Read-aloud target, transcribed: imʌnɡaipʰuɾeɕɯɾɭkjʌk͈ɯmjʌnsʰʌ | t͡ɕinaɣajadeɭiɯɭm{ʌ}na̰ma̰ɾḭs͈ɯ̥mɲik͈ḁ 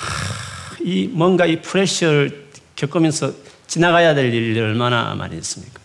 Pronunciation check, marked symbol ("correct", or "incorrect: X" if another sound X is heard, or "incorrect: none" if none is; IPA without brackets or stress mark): incorrect: a